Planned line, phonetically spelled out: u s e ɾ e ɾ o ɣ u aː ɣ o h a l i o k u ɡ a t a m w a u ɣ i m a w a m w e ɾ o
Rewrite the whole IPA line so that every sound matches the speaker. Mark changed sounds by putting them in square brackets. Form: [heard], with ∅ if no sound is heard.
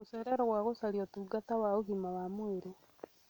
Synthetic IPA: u s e ɾ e ɾ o ɣ [w] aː ɣ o [s] a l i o [t] u ɡ a t a [∅] w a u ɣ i m a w a m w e ɾ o